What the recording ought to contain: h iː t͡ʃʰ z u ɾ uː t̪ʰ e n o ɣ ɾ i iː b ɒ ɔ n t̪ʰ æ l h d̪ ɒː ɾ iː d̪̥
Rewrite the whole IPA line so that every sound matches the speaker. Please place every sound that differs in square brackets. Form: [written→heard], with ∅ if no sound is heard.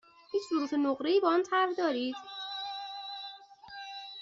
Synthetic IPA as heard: h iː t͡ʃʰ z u ɾ uː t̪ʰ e n o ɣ ɾ [i→e] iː b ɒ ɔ n t̪ʰ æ [l→ɾ] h d̪ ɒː ɾ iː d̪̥

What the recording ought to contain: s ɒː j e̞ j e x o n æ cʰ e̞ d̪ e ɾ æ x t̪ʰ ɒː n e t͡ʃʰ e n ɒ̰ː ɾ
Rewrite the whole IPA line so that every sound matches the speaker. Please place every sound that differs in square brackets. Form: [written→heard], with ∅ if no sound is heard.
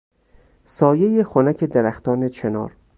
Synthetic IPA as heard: s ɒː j e̞ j e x o n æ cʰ e̞ d̪ e ɾ æ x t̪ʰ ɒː n e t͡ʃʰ e n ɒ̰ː ɾ

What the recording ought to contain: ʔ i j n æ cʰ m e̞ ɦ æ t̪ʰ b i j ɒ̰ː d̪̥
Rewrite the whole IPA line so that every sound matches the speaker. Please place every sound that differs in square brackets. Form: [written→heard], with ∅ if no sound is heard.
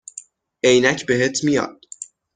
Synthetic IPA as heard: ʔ [i→e] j n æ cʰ [m→b] e̞ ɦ [æ→e] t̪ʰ [b→m] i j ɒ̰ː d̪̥

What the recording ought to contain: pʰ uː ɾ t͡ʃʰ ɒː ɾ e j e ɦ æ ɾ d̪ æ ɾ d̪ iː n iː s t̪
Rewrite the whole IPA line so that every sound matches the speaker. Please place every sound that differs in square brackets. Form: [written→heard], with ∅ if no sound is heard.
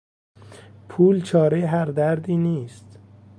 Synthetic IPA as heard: pʰ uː [ɾ→l] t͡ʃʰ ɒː ɾ e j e ɦ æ ɾ d̪ æ ɾ d̪ iː n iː s t̪

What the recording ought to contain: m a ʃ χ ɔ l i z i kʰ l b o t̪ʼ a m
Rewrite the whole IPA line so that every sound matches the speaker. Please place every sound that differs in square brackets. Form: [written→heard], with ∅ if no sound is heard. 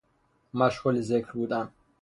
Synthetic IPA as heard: m a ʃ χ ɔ l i z [i→ɛ] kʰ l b [o→u] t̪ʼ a [m→n]

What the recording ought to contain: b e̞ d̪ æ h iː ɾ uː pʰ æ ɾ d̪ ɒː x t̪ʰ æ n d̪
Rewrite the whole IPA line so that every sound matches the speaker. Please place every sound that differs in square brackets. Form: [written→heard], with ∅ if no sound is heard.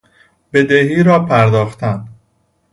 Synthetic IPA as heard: b e̞ d̪ [æ→e] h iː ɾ [uː→ɒː] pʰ æ ɾ d̪ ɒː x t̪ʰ æ n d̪

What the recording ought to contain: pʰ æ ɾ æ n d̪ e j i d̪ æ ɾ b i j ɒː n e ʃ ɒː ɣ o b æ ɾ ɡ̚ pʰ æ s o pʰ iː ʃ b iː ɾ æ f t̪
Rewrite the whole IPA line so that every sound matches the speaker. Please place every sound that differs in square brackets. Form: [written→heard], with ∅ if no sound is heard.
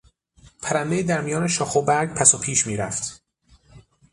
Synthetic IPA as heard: pʰ æ ɾ æ n d̪ e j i d̪ æ ɾ [b→m] i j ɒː n e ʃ ɒː [ɣ→x] o b æ ɾ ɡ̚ pʰ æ s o pʰ iː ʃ [b→m] iː ɾ æ f t̪

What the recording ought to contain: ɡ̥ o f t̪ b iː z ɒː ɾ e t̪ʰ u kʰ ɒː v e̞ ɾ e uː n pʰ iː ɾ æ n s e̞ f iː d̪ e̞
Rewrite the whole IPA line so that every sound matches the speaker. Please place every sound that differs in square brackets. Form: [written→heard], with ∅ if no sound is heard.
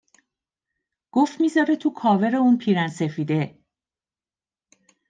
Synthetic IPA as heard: ɡ̥ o f t̪ [b→m] iː z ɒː ɾ e t̪ʰ u kʰ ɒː v e̞ ɾ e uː n pʰ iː ɾ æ n s e̞ f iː d̪ e̞

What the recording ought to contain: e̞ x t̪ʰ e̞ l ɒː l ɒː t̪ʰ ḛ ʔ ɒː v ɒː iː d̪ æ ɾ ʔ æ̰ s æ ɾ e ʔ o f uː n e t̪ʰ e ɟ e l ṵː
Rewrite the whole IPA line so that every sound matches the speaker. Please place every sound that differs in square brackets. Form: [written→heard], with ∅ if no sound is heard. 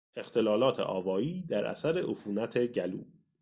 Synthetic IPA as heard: e̞ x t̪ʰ e̞ l ɒː l ɒː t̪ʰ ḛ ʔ ɒː v ɒː iː d̪ æ ɾ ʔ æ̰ s æ ɾ e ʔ o f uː n [e→æ] t̪ʰ e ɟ [e→æ] l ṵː

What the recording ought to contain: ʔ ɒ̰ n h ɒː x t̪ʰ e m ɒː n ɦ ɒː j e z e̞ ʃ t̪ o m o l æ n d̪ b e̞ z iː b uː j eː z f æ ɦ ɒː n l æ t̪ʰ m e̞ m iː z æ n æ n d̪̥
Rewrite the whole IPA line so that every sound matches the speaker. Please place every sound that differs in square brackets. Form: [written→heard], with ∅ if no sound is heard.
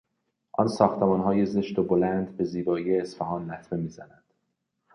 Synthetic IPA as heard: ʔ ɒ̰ n [h→s] ɒː x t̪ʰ e m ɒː n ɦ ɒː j e z e̞ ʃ t̪ o [m→b] o l æ n d̪ b e̞ z iː b [uː→ɒː] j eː [z→s] f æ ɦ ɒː n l æ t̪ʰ m e̞ m iː z æ n æ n d̪̥

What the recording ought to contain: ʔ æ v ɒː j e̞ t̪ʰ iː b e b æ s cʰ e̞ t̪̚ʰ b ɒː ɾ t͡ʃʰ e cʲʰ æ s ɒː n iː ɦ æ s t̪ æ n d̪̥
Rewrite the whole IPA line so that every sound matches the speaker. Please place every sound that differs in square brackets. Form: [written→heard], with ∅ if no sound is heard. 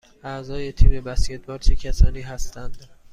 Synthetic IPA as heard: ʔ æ [v→z] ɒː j e̞ t̪ʰ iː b e b æ s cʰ e̞ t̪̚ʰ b ɒː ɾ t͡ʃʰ e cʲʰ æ s ɒː n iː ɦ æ s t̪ æ n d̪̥

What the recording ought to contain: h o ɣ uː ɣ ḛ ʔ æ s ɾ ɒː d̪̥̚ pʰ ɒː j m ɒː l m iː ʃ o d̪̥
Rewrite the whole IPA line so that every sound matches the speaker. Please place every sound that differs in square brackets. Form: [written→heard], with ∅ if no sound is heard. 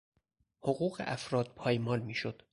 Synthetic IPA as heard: h o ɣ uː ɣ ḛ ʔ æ [s→f] ɾ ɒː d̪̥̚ pʰ ɒː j m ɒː l m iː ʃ o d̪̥

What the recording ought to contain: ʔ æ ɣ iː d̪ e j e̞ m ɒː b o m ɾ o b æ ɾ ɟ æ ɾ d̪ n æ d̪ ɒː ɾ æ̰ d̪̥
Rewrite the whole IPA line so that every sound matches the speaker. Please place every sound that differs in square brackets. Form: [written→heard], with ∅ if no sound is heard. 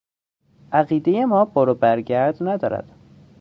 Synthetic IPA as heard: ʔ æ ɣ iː d̪ e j e̞ m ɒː b o [m→∅] ɾ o b æ ɾ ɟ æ ɾ d̪ n æ d̪ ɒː ɾ æ̰ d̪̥

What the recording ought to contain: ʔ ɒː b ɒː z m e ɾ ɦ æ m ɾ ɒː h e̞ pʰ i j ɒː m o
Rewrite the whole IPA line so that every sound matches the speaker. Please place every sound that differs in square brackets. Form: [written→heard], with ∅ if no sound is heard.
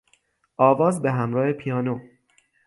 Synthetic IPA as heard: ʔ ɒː [b→v] ɒː z [m→b] e [ɾ→∅] ɦ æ m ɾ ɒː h e̞ pʰ i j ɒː [m→n] o

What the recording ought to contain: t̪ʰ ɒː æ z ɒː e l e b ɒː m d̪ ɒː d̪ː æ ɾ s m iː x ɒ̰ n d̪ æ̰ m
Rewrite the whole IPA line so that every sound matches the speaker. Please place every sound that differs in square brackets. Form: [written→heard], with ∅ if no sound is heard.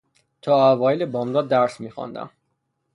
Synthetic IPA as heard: t̪ʰ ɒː æ [z→v] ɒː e l e b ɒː m d̪ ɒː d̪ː æ ɾ s m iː x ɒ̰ n d̪ æ̰ m

